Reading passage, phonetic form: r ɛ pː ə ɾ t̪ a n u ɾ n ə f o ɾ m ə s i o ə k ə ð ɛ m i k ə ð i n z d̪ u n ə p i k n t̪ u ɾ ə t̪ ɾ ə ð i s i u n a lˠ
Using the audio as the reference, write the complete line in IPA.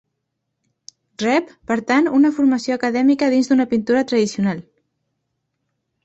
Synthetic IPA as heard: r ɛ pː ə ɾ t̪ a n u n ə f u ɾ m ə s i o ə k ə ð ɛ m i k ə ð i n z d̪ u n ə p i n t̪ u ɾ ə t̪ ɾ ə ð i s i u n a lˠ